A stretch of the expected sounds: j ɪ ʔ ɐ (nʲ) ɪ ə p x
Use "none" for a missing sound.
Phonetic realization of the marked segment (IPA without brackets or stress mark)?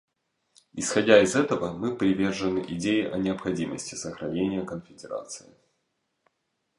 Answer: nʲ